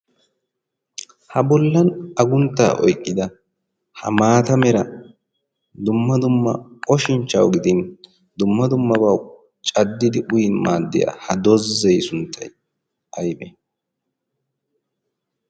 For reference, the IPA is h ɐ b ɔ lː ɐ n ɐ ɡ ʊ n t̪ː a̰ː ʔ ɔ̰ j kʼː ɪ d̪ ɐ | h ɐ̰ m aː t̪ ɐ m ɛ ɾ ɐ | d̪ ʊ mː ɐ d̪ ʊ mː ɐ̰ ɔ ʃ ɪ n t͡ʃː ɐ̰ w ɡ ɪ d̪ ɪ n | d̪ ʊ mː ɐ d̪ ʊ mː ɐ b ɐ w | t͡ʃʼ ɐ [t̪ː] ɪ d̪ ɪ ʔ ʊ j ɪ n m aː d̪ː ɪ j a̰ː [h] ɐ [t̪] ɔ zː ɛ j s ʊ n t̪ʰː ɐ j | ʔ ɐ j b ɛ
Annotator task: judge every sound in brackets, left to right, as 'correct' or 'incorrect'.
incorrect, correct, incorrect

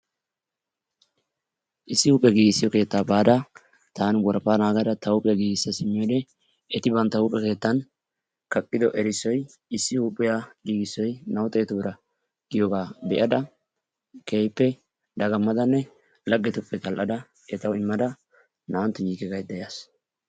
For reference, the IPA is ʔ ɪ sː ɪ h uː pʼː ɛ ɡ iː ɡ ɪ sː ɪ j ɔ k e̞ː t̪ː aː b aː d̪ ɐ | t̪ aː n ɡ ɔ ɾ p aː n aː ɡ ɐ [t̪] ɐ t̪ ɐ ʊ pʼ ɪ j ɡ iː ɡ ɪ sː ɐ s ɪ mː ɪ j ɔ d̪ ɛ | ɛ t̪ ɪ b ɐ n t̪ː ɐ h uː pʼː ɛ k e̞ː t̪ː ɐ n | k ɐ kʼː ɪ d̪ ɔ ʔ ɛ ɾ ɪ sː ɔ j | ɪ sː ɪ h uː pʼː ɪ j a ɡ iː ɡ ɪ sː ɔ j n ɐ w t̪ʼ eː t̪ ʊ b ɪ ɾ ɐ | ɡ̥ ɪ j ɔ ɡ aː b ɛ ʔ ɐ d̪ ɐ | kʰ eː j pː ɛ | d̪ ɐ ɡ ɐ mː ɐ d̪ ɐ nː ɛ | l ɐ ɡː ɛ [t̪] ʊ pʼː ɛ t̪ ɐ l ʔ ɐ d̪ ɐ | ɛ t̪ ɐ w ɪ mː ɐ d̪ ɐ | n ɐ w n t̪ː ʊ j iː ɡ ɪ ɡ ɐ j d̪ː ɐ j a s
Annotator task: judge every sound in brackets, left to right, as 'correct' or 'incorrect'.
incorrect, correct

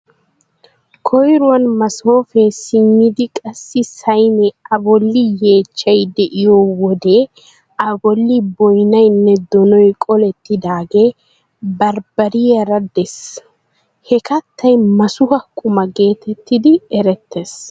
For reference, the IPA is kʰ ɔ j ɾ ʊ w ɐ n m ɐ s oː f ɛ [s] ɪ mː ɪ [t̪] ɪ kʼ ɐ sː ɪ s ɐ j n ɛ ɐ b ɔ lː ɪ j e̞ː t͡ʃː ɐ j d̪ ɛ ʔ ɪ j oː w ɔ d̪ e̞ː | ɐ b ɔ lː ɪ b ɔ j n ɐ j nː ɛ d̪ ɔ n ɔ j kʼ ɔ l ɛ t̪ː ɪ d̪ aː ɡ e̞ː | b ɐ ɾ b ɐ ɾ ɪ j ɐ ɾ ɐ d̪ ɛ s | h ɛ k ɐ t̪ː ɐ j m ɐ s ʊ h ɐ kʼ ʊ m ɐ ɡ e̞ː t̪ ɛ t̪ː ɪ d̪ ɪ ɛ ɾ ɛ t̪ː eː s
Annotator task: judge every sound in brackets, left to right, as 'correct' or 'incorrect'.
correct, incorrect

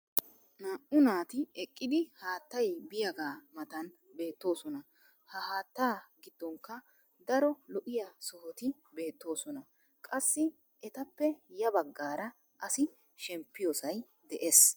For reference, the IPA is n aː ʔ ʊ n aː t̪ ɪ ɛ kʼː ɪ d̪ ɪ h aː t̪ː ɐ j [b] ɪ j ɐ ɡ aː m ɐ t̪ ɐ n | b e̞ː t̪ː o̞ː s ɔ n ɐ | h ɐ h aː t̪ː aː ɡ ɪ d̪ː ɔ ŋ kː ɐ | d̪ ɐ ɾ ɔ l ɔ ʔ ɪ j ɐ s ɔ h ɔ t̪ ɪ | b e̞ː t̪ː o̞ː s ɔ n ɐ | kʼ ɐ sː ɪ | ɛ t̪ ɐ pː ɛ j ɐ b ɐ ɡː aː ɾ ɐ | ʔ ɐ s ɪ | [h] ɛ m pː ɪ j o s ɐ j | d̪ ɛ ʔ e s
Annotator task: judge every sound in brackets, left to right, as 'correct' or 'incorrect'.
correct, incorrect

